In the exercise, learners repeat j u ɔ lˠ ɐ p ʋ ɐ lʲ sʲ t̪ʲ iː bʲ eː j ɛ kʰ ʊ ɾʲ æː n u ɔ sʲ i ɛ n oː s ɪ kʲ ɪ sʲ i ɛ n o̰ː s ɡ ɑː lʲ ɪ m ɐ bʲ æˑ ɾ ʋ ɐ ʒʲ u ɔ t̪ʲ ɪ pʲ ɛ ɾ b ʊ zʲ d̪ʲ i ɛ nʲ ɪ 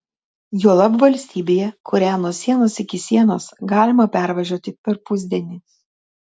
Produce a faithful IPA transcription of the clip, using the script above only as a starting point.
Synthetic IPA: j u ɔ lˠ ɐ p ʋ ɐ lʲ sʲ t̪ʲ iː bʲ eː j ɛ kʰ ʊ ɾʲ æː n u ɔ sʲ i ɛ n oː s ɪ kʲ ɪ sʲ i ɛ n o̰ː s ɡ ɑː lʲ ɪ m ɐ pʲ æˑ ɾ ʋ ɐ ʒʲ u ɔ t̪ʲ ɪ pʲ ɛ ɾ p ʊ zʲ d̪ʲ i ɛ nʲ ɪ